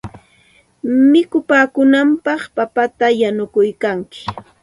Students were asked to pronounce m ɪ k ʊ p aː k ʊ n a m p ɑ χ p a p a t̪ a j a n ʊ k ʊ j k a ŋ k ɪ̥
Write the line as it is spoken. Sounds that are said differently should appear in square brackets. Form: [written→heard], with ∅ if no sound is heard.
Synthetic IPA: m ɪ k ʊ p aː k ʊ n a m p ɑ χ p a p a t̪ a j a n ʊ k ʊ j k a ŋ k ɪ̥